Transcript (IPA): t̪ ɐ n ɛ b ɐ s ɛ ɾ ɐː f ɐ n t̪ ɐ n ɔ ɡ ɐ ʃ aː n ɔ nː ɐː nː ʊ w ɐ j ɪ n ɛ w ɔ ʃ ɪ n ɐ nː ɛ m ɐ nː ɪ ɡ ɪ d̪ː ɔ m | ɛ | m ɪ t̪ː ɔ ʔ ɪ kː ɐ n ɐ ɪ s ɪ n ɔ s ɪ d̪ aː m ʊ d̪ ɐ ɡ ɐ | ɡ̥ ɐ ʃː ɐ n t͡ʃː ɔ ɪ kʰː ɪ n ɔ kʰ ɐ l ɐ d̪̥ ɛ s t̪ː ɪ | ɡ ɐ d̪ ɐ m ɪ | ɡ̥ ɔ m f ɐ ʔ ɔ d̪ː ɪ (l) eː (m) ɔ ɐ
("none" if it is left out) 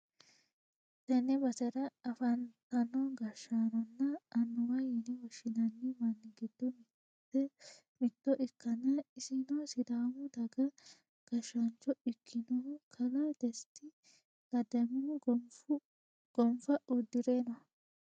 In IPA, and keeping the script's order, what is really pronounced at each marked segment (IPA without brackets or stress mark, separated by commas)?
ɾ, n